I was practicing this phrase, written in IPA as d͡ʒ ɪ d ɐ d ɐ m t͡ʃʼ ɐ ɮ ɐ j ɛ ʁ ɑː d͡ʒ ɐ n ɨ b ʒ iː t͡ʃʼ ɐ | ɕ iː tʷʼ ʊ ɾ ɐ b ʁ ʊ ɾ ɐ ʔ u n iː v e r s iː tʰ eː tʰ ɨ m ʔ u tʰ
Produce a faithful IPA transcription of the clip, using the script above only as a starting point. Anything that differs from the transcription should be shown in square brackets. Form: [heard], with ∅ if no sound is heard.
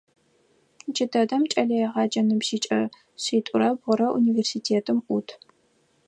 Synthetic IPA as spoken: d͡ʒ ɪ d ɐ d ɐ m t͡ʃʼ ɐ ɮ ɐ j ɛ ʁ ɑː d͡ʒ ɐ n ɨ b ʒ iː t͡ʃʼ ɐ | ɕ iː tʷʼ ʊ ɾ ɐ b ʁ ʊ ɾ ɐ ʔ u n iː v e r s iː tʰ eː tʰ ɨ m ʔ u tʰ